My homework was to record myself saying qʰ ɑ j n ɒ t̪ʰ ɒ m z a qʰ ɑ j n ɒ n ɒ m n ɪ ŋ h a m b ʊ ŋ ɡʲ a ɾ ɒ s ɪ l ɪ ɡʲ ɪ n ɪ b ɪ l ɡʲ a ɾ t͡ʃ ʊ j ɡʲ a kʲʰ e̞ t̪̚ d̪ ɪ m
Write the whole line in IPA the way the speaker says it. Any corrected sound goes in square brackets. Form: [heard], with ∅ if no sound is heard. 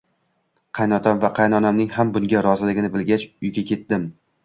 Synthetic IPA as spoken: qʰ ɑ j n ɒ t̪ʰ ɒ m [v] a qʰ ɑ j n ɒ n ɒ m n ɪ ŋ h a m b ʊ ŋ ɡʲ a ɾ ɒ [z] ɪ l ɪ ɡʲ ɪ n ɪ b ɪ l ɡʲ a [∅] t͡ʃ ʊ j ɡʲ a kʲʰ e̞ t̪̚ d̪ ɪ m